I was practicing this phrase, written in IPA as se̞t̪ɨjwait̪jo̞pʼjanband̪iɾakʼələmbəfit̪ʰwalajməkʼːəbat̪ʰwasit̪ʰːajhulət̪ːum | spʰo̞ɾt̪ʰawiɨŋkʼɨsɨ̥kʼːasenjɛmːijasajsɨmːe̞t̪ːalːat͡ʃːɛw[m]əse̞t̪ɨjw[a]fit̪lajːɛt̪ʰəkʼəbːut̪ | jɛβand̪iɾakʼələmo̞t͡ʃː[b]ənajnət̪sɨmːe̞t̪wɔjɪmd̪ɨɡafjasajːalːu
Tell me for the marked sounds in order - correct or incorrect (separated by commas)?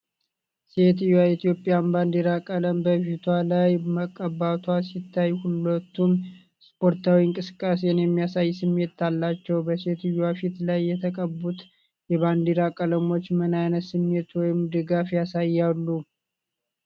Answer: incorrect, correct, incorrect